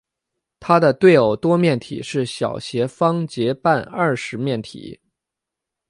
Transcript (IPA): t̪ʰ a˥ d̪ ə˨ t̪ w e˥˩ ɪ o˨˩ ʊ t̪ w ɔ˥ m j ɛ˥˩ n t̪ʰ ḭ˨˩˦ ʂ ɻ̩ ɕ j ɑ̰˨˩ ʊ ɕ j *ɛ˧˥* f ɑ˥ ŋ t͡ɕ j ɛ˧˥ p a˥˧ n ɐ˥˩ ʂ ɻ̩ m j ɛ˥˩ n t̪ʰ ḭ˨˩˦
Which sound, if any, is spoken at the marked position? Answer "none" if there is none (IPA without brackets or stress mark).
ɛ˧˥